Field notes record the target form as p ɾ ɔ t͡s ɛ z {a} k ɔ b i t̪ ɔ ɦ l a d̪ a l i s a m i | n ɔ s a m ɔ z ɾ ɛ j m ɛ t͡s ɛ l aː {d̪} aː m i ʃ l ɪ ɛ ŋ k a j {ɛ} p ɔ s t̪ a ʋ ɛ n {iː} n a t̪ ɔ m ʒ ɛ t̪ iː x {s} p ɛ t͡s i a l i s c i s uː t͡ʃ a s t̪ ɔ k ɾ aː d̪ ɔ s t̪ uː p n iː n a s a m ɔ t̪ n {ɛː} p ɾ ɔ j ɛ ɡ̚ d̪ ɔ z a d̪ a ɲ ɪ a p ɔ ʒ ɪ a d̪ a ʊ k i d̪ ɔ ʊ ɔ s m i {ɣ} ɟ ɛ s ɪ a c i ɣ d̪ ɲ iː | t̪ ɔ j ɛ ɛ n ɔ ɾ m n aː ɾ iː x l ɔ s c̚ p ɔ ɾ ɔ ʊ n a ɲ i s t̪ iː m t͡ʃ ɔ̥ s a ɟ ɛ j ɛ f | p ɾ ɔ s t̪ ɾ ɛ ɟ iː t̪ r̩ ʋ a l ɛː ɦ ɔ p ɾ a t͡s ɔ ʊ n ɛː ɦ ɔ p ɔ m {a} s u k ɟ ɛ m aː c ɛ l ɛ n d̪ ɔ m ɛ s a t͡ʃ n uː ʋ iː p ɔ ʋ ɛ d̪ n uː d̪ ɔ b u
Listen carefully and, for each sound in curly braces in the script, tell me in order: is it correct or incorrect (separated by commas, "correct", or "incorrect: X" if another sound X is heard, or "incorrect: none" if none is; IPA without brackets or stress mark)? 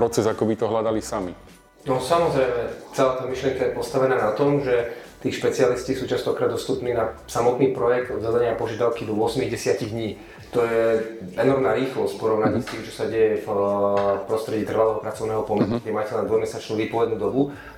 correct, incorrect: t̪, correct, incorrect: aː, incorrect: ʃ, incorrect: iː, correct, incorrect: ɛ